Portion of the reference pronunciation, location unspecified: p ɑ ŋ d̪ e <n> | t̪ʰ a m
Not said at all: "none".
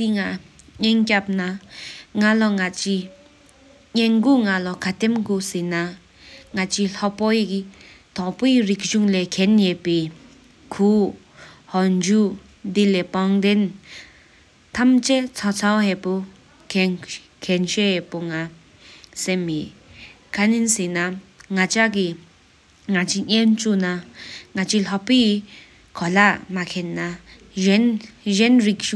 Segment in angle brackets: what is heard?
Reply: n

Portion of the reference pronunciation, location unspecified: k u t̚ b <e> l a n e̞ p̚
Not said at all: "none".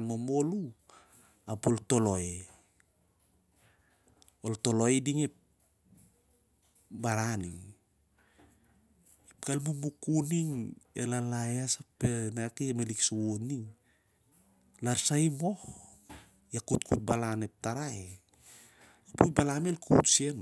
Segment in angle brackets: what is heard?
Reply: a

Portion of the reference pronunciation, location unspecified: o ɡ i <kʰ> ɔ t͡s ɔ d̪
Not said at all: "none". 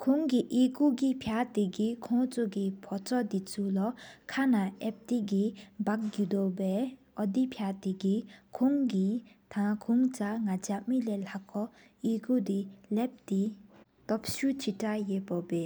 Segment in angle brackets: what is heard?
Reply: pʰ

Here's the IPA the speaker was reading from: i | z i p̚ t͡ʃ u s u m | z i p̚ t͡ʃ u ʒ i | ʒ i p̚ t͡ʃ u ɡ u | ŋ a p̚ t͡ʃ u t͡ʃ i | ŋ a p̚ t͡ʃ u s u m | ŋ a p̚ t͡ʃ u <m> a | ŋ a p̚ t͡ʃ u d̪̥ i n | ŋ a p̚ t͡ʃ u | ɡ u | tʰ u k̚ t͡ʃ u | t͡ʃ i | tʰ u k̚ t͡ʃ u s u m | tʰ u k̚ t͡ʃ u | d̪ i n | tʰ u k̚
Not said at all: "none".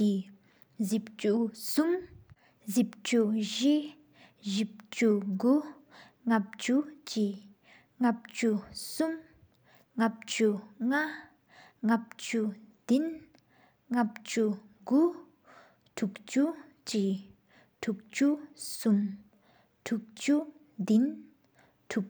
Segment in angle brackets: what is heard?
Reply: ŋ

